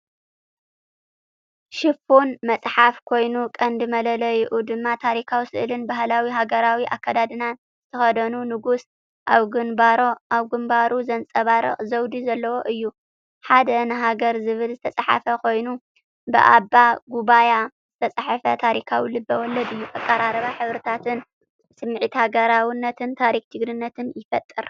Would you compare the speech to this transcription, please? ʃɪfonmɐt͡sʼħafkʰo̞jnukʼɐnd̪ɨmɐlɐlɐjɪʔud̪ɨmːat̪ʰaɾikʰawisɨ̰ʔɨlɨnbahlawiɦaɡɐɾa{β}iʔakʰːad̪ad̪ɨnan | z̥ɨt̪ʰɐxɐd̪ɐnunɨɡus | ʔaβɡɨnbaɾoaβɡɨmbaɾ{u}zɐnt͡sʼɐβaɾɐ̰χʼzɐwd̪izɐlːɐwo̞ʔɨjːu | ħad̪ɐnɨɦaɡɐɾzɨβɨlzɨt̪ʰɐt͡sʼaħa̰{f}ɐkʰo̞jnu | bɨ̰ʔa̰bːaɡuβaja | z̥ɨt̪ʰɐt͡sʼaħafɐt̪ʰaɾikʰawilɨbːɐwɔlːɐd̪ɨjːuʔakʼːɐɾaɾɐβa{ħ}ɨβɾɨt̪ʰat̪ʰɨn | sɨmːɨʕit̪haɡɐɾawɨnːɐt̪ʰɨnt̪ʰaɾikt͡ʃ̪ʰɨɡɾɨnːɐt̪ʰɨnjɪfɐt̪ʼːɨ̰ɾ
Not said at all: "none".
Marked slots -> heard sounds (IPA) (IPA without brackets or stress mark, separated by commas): w, u, f, ħ